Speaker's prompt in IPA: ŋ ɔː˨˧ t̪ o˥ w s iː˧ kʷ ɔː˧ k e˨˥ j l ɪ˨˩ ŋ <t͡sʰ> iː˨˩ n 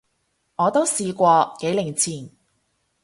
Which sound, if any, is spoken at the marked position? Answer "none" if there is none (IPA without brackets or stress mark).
t͡sʰ